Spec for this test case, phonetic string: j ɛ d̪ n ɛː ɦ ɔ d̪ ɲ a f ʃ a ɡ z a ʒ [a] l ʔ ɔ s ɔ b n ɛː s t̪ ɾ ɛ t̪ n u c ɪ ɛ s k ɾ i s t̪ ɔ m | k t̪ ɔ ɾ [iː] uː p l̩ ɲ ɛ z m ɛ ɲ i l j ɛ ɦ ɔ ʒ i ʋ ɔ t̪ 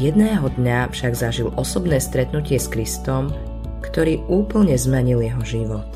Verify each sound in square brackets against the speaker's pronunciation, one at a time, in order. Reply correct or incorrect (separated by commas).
incorrect, correct